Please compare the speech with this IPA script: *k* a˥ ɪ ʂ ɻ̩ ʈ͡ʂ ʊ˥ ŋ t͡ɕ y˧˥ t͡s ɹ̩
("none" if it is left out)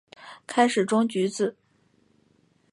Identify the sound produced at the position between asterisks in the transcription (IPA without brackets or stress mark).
kʰ